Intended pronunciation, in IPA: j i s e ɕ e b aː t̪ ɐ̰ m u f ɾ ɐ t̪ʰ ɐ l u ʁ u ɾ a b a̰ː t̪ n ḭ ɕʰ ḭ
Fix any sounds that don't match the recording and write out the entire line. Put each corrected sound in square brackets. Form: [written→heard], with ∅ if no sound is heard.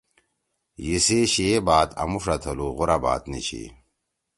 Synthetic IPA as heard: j i s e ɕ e b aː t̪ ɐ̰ m u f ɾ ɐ t̪ʰ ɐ l u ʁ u ɾ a b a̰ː t̪ n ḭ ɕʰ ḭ